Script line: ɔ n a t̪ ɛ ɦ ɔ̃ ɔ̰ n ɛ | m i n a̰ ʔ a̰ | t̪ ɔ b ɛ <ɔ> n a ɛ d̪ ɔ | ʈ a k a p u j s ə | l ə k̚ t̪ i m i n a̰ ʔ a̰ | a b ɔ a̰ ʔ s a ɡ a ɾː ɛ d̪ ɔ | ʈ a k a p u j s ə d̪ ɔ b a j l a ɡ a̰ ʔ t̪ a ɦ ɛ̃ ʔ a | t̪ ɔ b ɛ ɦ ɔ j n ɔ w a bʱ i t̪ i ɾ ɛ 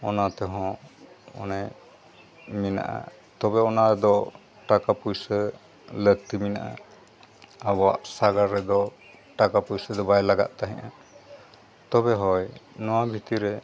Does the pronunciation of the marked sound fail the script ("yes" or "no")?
no